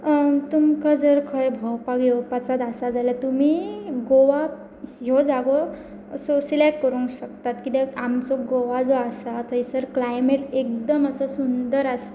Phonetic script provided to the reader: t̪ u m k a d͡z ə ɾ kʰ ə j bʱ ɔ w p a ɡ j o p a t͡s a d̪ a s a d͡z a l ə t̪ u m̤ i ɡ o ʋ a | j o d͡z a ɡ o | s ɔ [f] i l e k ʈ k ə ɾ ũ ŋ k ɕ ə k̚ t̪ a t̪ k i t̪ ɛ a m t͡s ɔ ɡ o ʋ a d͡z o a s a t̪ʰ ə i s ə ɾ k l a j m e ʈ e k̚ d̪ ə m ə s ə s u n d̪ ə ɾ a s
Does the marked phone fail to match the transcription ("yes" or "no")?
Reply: yes